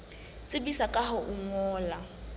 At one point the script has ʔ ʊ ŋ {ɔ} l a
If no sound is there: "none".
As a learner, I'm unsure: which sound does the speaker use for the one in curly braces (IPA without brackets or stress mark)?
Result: ɔː